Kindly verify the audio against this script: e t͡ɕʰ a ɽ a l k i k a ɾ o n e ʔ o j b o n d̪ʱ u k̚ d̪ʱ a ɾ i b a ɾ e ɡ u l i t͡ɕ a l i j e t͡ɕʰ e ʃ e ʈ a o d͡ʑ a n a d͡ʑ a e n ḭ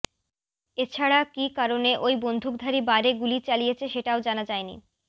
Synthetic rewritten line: e t͡ɕʰ a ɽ a k i k a ɾ o n e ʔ o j b o n d̪ʱ u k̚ d̪ʱ a ɾ i b a ɾ e ɡ u l i t͡ɕ a l i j e t͡ɕʰ e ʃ e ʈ a o d͡ʑ a n a d͡ʑ a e n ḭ